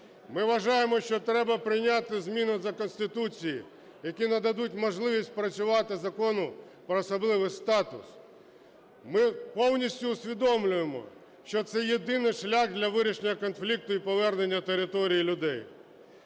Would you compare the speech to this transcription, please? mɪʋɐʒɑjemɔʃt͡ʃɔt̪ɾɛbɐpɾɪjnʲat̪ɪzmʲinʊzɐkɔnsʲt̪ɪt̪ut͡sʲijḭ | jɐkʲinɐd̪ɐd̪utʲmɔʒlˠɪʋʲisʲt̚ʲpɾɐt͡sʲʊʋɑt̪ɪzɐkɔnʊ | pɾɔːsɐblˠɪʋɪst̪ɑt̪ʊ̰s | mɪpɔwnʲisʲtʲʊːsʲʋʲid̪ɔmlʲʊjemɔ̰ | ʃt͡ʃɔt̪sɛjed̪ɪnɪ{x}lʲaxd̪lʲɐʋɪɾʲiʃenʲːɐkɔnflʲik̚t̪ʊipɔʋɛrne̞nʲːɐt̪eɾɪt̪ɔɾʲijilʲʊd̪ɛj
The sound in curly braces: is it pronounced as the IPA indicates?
no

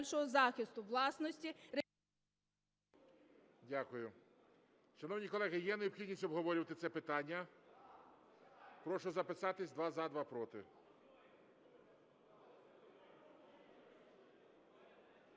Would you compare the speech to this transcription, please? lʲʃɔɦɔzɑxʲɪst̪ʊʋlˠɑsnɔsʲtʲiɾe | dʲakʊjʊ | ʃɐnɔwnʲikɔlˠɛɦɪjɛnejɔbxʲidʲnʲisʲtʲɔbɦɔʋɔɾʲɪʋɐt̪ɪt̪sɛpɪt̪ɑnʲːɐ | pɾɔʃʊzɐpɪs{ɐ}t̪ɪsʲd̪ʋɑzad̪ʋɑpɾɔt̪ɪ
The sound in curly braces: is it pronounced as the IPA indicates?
no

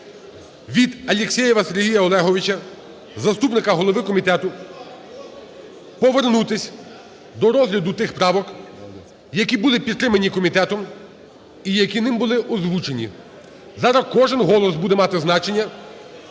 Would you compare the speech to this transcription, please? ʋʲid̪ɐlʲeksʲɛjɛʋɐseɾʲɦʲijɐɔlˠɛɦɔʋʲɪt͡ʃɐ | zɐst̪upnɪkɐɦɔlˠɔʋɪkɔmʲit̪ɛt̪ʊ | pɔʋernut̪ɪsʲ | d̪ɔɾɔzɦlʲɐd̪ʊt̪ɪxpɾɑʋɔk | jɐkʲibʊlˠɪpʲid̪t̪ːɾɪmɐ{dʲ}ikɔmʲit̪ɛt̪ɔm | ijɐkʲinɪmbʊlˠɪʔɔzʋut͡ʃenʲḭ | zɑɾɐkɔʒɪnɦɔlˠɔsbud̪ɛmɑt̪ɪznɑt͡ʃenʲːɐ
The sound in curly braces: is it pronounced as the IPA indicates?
no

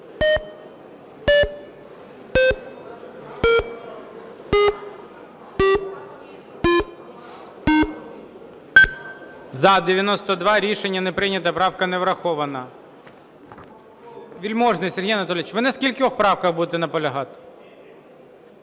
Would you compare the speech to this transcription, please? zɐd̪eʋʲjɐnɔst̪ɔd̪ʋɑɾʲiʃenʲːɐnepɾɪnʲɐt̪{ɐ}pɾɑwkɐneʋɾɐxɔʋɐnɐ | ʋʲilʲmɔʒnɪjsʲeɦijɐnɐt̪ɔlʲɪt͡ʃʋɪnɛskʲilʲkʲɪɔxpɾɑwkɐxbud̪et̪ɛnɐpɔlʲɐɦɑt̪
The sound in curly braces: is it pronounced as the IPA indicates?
yes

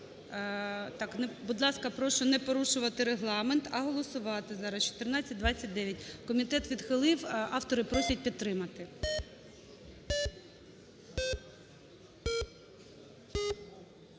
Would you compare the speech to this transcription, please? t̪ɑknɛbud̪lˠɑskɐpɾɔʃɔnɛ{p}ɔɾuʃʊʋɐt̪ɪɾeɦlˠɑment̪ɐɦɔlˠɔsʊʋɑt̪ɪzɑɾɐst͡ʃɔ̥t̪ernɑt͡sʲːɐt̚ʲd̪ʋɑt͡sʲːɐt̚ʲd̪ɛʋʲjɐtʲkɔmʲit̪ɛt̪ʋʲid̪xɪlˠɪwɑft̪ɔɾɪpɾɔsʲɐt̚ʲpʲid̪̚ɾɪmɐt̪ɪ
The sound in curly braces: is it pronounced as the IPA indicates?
yes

